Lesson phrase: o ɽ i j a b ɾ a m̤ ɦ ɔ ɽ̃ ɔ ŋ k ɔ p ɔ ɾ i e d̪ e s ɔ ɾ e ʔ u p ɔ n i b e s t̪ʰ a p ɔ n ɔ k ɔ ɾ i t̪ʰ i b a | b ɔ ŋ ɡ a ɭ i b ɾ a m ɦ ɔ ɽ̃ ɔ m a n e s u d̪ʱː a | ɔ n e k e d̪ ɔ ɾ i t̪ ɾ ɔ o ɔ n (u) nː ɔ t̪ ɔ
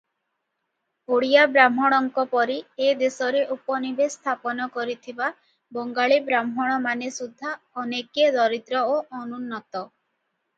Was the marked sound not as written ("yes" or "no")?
no